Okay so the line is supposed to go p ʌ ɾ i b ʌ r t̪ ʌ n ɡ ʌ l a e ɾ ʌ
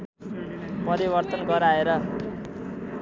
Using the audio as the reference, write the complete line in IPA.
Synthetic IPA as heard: p ʌ ɾ i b ʌ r t̪ ʌ n ɡ ʌ ɾ a e ɾ ʌ